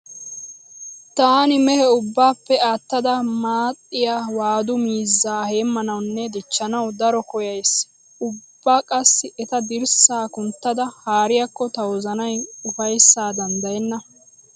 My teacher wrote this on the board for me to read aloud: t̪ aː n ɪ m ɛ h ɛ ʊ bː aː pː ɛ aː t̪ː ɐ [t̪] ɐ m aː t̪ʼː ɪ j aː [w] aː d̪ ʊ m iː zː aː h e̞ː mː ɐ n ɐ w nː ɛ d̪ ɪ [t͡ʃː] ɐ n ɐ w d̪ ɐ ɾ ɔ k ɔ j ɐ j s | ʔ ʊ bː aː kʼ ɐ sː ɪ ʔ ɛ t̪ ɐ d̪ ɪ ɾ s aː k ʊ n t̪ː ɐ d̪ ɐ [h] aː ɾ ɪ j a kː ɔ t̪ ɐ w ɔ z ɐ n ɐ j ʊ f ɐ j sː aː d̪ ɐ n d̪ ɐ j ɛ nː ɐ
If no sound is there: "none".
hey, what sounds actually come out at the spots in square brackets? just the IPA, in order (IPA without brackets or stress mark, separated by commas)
d̪, w, t͡ʃː, h